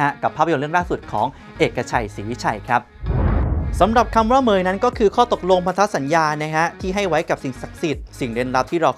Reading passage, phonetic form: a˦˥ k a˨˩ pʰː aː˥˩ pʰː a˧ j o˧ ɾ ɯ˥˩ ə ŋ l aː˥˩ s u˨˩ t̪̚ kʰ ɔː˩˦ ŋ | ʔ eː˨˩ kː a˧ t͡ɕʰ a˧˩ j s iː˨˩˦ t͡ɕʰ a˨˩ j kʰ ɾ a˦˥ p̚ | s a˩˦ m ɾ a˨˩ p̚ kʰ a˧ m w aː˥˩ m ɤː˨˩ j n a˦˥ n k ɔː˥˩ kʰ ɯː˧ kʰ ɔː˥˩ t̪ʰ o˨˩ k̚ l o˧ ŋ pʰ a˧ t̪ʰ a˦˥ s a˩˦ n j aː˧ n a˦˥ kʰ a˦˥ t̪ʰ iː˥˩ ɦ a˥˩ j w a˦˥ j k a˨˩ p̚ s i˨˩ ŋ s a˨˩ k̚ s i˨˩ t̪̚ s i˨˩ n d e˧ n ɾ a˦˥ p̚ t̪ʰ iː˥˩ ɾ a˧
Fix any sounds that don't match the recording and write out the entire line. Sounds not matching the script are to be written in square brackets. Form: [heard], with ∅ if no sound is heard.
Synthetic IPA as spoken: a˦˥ k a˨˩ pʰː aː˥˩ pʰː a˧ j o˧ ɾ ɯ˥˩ ə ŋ l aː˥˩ s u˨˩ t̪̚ kʰ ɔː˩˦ ŋ | ʔ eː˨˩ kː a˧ t͡ɕʰ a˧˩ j s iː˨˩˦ t͡ɕʰ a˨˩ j kʰ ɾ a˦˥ p̚ | s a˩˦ m ɾ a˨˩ p̚ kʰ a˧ m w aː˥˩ m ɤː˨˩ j n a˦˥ n k ɔː˥˩ kʰ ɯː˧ kʰ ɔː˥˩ [t̪] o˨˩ k̚ l o˧ ŋ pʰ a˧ t̪ʰ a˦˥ s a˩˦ n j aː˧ n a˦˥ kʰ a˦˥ t̪ʰ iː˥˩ ɦ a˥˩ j w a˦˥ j k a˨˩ p̚ s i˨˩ ŋ s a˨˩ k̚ s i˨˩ t̪̚ s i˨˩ [ŋ] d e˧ n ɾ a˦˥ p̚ t̪ʰ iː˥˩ ɾ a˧